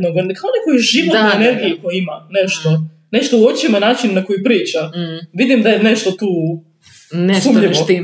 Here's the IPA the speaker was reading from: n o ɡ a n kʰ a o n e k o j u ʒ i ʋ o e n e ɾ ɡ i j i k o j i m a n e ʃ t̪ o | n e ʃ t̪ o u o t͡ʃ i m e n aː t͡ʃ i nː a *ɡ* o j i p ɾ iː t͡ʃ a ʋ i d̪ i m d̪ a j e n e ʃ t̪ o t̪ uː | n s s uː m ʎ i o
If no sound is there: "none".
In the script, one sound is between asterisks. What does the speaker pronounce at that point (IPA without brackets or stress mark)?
k